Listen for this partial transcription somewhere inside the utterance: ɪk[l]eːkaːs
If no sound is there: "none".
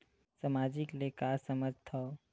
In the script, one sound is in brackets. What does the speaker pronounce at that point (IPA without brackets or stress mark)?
l